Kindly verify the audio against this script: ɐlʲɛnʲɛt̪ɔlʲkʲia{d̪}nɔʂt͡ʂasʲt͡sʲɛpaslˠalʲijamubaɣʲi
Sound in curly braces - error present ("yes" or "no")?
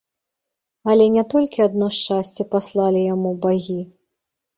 no